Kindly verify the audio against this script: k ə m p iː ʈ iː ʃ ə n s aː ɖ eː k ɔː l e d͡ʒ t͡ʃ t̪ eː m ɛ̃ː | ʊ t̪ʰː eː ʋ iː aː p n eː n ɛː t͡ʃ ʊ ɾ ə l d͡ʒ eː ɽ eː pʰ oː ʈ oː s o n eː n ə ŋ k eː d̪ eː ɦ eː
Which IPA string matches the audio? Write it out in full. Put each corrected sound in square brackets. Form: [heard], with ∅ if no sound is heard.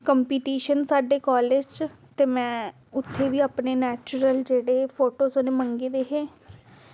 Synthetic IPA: k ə m p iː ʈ iː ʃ ə n s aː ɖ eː k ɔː l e d͡ʒ t͡ʃ t̪ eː m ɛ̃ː | ʊ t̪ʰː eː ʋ iː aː p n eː n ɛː t͡ʃ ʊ ɾ ə l d͡ʒ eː ɽ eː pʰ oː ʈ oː s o n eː [m] ə ŋ [ɡ] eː d̪ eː ɦ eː